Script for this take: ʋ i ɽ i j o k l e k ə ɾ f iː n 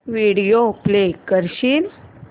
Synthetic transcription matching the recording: ʋ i ɽ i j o p l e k ə ɾ ɕ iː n